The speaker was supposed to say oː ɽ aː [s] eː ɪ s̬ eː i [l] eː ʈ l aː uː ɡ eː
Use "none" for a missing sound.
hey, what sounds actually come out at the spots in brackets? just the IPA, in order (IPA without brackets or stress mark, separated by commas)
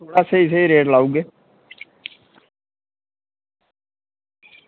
s, ɾ